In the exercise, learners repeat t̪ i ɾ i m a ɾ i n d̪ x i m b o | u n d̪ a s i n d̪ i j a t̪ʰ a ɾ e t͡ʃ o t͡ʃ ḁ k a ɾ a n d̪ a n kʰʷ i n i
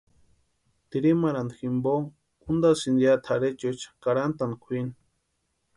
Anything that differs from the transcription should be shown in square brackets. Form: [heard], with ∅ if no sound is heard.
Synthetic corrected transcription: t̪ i ɾ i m a ɾ [a] n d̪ x i m b o | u n d̪ a s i n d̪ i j a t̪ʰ a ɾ e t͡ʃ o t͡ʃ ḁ k a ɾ a n [t̪] a n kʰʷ i n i